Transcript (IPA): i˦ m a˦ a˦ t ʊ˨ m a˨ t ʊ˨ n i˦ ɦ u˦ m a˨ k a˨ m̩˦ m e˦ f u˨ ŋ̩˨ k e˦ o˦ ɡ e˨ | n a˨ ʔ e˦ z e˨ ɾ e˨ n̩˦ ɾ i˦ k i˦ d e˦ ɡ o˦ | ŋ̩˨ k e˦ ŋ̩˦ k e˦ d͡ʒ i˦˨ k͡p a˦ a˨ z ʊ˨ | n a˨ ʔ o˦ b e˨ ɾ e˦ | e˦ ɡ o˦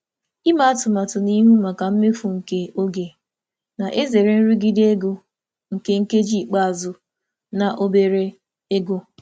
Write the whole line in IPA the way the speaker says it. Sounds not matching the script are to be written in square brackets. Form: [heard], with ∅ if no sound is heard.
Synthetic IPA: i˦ m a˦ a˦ t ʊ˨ m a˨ t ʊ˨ n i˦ ɦ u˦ m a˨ k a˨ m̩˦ m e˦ f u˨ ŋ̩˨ k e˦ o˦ ɡ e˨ | n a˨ ʔ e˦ z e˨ ɾ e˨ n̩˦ ɾ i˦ [ɡ] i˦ d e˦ ɡ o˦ | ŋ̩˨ k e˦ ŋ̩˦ k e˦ d͡ʒ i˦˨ k͡p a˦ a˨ z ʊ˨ | n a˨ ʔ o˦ b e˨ ɾ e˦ | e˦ ɡ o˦